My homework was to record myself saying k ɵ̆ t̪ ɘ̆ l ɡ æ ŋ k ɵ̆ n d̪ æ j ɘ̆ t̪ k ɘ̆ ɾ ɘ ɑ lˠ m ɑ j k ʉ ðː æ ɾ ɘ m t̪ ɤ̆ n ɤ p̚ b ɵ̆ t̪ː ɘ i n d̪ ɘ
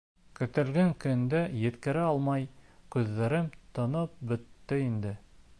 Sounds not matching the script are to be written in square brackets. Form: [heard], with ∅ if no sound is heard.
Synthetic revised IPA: k ɵ̆ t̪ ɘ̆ l ɡ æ ŋ k ɵ̆ n d̪ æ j ɘ̆ t̪ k ɘ̆ ɾ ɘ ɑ lˠ m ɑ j k ʉ ðː æ ɾ ɘ m t̪ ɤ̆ n ɤ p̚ b ɵ̆ t̪ː ɘ i n d̪ ɘ